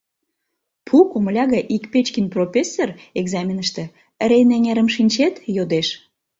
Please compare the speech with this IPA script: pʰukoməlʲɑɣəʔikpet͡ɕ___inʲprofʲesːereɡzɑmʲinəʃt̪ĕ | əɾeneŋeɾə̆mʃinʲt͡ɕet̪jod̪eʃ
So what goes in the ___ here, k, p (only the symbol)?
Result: k